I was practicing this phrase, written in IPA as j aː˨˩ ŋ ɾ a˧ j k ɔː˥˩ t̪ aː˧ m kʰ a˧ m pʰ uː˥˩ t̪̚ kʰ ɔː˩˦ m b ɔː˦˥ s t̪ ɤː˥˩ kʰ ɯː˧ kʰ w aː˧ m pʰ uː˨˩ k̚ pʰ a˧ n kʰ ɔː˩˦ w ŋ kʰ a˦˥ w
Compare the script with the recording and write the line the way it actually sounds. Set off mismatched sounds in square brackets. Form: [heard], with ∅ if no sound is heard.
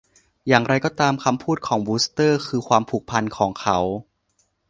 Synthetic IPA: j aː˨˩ ŋ ɾ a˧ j k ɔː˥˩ t̪ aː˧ m kʰ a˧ m pʰ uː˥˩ t̪̚ kʰ ɔː˩˦ [ŋ] b [uː˦˥] s t̪ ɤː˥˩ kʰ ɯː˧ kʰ w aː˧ m pʰ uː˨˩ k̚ pʰ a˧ n kʰ ɔː˩˦ [∅] ŋ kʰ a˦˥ w